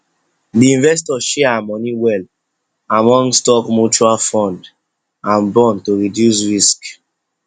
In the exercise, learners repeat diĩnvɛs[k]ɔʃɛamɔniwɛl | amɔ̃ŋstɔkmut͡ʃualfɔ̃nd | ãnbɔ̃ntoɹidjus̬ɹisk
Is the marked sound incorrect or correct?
incorrect